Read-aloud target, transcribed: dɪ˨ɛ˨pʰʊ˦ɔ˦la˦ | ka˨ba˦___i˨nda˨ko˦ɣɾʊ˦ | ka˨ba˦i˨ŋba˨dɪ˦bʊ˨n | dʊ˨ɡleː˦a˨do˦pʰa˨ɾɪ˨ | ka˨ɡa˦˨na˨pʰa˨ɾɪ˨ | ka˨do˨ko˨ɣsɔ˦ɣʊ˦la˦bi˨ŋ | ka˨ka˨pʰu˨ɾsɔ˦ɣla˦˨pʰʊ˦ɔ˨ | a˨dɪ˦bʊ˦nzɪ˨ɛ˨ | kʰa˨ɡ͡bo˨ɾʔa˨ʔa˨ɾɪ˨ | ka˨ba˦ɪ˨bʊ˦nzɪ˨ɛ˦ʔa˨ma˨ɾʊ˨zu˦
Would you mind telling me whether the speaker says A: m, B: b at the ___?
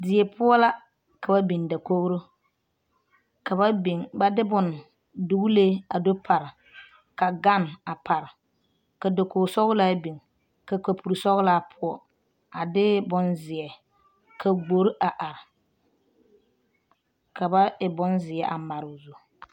B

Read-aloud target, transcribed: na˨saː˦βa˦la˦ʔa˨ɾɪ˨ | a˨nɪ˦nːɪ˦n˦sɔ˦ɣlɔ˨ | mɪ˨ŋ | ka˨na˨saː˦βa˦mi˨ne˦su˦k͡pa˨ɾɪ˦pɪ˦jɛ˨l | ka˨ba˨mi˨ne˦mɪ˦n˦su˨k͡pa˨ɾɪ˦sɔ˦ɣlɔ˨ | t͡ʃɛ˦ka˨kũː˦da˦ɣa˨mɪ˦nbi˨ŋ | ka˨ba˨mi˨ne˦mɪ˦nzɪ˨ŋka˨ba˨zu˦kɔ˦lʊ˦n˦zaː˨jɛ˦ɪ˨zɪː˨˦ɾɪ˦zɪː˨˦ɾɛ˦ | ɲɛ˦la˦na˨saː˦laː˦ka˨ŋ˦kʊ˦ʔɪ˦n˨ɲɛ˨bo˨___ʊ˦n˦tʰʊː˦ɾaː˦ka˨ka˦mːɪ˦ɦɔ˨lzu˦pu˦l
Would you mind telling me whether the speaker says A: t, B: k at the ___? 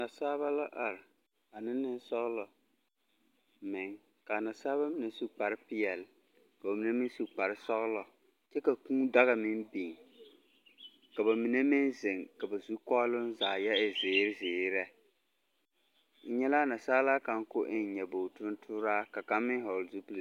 A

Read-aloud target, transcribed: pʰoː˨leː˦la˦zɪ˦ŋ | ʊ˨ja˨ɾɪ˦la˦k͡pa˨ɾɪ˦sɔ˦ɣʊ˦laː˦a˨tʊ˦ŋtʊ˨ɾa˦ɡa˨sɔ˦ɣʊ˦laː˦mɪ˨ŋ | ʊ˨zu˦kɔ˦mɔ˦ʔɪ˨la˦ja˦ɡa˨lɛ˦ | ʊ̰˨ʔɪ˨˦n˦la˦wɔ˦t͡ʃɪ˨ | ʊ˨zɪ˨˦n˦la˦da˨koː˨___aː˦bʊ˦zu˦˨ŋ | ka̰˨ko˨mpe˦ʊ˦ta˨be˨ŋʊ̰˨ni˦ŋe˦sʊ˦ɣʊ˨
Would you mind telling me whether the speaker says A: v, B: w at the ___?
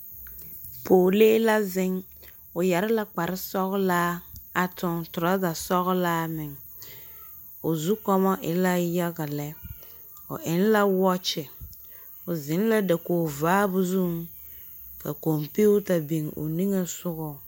A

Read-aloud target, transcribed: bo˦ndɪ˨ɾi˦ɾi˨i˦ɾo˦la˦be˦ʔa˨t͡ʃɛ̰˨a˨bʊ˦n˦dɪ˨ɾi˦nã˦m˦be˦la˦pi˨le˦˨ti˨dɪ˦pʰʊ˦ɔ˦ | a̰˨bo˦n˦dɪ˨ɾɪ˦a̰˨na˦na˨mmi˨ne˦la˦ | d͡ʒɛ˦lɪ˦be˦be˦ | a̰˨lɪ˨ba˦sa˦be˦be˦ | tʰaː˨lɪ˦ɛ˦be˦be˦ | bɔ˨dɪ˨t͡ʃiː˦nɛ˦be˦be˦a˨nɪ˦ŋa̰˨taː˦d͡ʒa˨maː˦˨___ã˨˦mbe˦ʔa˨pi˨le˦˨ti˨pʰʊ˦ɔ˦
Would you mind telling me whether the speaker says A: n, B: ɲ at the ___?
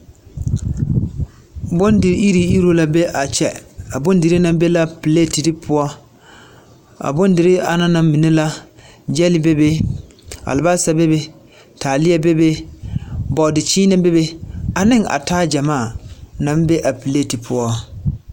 A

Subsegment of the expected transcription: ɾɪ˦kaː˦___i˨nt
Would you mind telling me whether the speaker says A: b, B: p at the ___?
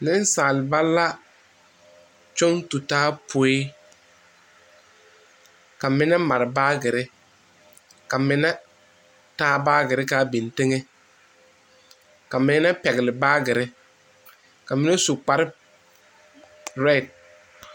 A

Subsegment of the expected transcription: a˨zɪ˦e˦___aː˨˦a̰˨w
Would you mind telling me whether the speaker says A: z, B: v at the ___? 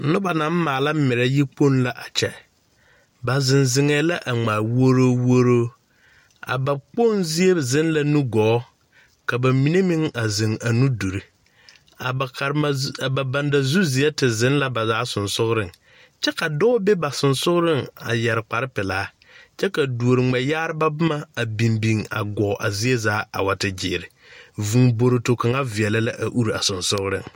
A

